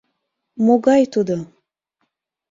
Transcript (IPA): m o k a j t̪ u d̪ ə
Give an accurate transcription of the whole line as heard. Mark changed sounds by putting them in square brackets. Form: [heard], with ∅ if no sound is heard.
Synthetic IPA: m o [ɡ] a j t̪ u d̪ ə